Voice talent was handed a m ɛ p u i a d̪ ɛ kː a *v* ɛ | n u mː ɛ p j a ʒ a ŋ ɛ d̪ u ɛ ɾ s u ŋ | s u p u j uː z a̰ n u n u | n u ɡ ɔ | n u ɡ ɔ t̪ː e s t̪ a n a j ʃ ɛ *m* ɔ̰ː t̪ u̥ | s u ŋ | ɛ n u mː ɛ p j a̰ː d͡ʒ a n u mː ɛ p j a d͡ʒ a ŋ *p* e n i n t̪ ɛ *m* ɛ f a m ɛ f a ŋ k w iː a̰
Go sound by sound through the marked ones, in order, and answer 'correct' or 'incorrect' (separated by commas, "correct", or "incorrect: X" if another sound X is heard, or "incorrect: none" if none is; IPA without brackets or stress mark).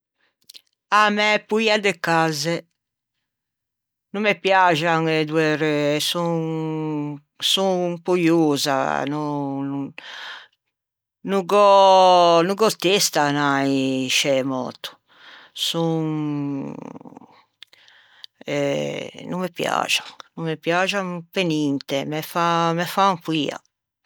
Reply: incorrect: z, correct, correct, correct